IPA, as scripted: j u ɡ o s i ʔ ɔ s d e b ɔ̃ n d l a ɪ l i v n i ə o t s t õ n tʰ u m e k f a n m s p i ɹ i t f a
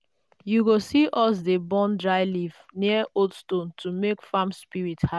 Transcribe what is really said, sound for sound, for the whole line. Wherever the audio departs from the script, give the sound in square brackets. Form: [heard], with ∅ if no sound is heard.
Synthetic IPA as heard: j u ɡ o s i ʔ ɔ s d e b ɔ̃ n d [ɹ] a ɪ l i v n i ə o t s t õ n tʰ u m e k f a [∅] m s p i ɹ i t [h] a

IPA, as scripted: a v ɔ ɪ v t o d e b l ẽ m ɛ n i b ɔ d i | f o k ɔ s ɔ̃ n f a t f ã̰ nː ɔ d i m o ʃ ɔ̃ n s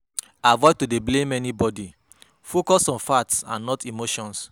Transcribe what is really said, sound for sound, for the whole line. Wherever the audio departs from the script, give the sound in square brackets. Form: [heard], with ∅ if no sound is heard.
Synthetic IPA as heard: a v ɔ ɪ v t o d e b l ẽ m ɛ n i b ɔ d i | f o k ɔ s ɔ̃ n f a t [s] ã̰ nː ɔ [t] i m o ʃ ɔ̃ n s

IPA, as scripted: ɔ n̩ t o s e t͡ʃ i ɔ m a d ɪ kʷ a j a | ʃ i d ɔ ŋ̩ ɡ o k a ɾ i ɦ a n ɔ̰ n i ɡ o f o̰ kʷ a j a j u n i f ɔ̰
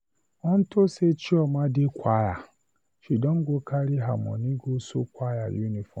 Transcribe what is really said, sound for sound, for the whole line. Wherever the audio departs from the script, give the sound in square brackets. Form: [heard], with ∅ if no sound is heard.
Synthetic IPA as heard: ɔ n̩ t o s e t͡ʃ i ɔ m a d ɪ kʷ a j a | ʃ i d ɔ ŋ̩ ɡ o k a ɾ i ɦ a [m] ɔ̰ n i ɡ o [s] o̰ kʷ a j a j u n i f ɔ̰

